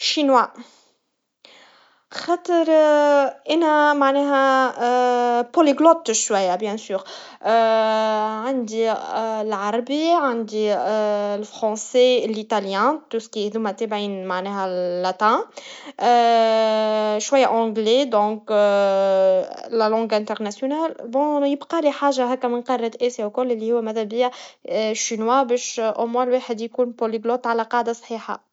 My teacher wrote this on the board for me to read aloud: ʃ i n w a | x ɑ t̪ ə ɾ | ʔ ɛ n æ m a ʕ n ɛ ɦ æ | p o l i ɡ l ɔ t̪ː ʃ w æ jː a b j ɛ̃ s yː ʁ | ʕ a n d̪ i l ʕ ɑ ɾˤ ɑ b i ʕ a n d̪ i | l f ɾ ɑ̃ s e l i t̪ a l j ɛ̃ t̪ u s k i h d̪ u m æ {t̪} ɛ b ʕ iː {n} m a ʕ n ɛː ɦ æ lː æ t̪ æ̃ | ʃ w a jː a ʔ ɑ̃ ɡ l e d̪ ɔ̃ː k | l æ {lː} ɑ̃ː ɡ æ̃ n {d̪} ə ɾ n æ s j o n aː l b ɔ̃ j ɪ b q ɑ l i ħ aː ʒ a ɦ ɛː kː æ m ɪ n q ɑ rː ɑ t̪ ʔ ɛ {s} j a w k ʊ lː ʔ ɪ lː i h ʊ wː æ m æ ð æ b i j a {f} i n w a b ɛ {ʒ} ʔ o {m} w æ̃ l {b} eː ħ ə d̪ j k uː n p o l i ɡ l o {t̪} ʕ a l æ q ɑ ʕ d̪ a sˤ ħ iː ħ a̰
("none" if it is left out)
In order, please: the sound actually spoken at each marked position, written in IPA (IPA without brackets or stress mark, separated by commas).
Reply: t̪, n, l, t̪, s, ʃ, ʃ, m, w, t̪